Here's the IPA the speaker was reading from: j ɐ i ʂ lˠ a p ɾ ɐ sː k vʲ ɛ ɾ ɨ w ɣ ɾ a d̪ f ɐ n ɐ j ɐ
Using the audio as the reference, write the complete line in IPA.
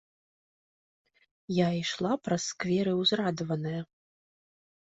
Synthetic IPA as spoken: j a i ʂ lˠ a p ɾ ɐ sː k vʲ ɛ ɾ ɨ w z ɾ a d̪ v ɐ n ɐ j ɐ